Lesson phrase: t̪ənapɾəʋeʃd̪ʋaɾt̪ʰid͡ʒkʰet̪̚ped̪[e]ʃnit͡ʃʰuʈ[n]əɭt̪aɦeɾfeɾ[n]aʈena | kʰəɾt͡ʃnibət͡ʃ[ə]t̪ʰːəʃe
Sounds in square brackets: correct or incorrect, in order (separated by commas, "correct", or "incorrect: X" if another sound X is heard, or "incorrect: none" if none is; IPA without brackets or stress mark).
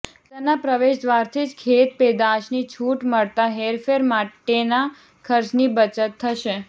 incorrect: a, incorrect: m, incorrect: m, correct